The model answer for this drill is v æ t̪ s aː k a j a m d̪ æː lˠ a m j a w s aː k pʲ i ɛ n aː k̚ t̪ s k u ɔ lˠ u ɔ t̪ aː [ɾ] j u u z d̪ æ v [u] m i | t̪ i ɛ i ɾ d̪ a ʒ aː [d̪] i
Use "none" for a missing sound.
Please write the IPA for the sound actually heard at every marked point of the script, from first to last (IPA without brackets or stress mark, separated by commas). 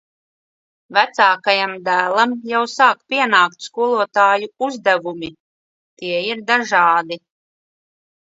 none, u, d̪